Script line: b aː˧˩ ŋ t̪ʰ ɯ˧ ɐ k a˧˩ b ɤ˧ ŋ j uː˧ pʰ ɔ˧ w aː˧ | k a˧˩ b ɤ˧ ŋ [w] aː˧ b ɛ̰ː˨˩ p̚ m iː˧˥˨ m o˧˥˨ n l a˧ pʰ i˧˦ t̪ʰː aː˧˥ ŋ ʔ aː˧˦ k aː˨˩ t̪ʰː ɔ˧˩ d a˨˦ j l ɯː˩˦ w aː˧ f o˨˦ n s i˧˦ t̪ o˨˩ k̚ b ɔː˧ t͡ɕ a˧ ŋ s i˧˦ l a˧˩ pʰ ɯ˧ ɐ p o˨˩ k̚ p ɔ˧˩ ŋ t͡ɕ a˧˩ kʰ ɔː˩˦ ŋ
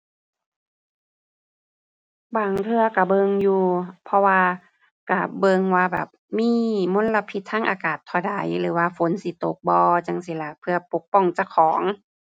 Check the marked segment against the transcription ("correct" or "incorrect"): correct